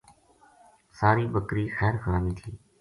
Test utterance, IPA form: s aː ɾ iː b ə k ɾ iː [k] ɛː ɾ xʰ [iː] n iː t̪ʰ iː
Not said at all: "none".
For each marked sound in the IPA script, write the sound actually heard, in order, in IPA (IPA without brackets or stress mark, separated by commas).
x, aː